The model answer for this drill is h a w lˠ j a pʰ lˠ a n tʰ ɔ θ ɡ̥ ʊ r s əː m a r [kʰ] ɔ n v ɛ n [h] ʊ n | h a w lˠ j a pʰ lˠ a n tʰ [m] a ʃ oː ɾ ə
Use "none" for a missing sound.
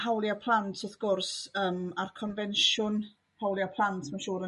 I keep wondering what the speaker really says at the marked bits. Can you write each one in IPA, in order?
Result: kʰ, ʃ, m

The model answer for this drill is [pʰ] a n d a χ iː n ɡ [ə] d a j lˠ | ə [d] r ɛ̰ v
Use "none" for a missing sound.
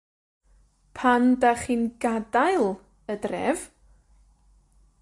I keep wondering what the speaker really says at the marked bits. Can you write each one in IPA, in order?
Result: pʰ, a, d

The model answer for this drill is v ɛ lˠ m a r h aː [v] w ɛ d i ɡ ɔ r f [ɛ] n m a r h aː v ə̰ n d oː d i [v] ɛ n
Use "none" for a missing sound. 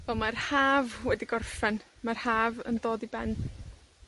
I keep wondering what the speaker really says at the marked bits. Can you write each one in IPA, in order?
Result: v, ɛ, b

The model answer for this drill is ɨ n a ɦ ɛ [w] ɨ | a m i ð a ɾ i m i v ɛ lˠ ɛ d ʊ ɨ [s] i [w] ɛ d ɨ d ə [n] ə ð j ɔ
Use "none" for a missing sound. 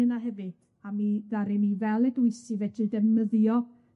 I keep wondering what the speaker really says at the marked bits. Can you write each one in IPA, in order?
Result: v, s, v, m

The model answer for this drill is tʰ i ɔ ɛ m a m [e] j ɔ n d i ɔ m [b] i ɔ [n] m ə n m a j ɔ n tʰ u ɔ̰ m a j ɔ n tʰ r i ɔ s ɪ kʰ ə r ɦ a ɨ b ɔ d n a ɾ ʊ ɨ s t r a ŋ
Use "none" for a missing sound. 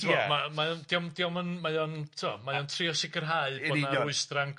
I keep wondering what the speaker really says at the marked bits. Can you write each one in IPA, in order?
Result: a, d, none

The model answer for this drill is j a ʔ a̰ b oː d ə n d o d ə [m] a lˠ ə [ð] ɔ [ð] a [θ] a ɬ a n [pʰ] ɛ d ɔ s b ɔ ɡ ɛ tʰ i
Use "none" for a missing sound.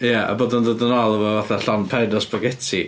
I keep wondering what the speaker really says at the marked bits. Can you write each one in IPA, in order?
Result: n, v, v, θ, pʰ

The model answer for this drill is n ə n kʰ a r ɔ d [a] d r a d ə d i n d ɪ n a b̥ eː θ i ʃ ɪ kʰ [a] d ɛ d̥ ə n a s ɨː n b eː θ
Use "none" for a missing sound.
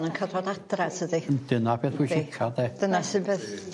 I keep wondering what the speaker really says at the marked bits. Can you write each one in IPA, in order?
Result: a, a

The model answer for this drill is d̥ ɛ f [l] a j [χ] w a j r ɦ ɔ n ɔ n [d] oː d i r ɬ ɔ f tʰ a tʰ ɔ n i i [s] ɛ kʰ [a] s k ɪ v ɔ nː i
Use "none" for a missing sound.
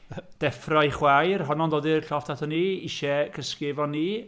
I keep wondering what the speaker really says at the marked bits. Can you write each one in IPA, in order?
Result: r, χ, d, ʃ, ə

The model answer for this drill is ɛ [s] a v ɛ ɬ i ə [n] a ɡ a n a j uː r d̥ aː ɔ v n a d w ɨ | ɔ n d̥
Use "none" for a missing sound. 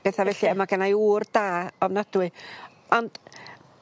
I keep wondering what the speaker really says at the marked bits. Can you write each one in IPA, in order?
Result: θ, m

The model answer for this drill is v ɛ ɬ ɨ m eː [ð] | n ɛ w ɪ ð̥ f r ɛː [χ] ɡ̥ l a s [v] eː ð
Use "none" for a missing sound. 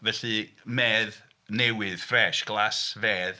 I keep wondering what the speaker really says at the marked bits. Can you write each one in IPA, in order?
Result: ð, ʃ, v

